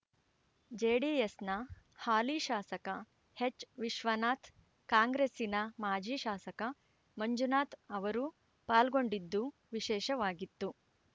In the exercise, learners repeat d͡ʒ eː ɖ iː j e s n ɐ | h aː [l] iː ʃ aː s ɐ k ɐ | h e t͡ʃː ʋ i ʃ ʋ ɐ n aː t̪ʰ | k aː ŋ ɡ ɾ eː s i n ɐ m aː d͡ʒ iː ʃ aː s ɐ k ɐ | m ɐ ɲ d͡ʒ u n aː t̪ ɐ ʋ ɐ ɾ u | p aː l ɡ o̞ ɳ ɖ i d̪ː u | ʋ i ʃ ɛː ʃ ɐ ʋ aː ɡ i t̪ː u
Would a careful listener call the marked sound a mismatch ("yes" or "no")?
no